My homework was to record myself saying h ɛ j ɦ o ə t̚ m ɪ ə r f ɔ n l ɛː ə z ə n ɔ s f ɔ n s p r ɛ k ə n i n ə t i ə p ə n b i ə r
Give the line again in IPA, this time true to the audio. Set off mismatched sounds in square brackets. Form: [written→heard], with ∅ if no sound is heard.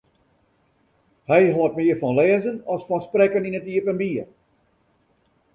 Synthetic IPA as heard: h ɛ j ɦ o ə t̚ m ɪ ə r f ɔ n l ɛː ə z ə n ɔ s f ɔ n s p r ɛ k ə n i n ə t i ə p ə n b i ə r